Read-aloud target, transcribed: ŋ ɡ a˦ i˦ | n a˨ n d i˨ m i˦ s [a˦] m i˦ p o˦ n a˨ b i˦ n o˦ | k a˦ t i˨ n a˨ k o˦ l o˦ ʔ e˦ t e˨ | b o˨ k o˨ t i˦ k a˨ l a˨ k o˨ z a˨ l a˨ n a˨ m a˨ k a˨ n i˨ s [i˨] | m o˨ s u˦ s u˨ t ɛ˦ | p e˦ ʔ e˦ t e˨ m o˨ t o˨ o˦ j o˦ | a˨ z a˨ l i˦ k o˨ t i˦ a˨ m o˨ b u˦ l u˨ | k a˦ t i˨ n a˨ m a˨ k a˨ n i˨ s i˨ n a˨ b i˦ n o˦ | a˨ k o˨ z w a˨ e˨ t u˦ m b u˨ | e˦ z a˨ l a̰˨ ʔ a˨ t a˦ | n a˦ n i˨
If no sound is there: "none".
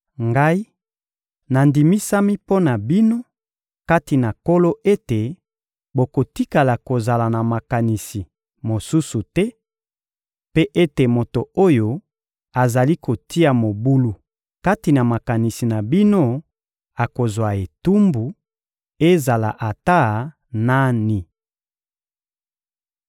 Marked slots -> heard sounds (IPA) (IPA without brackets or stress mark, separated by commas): a˦, i˨